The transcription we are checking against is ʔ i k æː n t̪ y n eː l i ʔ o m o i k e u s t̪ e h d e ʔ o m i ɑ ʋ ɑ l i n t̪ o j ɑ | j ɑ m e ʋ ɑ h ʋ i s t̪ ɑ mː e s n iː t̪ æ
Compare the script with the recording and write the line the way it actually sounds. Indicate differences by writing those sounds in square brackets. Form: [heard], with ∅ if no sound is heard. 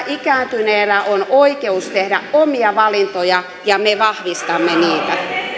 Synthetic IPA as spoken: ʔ i k æː n t̪ y n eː l [æ] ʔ o [n] o i k e u s t̪ e h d [æ] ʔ o m i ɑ ʋ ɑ l i n t̪ o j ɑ | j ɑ m e ʋ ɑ h ʋ i s t̪ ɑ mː e [∅] n iː t̪ æ